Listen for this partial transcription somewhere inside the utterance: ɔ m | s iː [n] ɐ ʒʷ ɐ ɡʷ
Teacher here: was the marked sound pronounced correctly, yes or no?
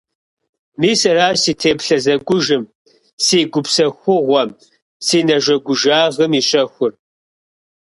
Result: yes